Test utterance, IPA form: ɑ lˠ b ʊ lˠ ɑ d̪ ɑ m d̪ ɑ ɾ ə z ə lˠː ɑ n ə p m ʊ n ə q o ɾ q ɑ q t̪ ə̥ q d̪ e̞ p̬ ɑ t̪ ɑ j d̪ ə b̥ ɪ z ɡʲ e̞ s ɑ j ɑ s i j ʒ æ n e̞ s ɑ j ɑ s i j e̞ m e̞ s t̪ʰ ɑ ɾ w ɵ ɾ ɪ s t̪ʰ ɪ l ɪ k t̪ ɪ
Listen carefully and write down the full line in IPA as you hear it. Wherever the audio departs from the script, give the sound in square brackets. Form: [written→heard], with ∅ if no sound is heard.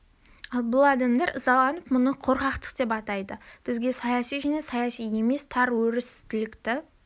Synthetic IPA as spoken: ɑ lˠ b ʊ lˠ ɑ d̪ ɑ m d̪ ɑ ɾ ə z [ə→ɑ] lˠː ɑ n ə p m ʊ n ə [q→qʰ] o ɾ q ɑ q t̪ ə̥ q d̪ e̞ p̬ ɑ t̪ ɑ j d̪ ə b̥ ɪ z ɡʲ e̞ s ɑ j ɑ s i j ʒ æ n e̞ s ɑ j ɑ s i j e̞ m e̞ s t̪ʰ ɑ ɾ w ɵ ɾ ɪ s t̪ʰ ɪ l ɪ k t̪ ɪ